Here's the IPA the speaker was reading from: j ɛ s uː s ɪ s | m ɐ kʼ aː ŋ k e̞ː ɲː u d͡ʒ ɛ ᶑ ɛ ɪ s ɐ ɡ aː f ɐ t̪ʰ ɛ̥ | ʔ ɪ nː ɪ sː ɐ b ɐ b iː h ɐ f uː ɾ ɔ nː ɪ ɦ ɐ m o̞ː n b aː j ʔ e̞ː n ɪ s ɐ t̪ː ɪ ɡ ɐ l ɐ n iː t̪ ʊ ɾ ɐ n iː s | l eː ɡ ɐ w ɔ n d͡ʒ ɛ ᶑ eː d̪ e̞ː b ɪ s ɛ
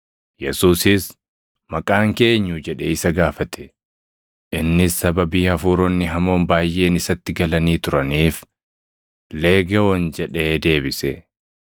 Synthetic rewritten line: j ɛ s uː s ɪ s | m ɐ kʼ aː ŋ k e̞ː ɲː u d͡ʒ ɛ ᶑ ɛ ɪ s ɐ ɡ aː f ɐ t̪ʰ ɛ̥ | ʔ ɪ nː ɪ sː ɐ b ɐ b iː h ɐ f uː ɾ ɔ nː ɪ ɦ ɐ m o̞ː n b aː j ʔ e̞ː n ɪ s ɐ t̪ː ɪ ɡ ɐ l ɐ n iː t̪ ʊ ɾ ɐ n iː f | l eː ɡ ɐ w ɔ n d͡ʒ ɛ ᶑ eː d̪ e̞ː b ɪ s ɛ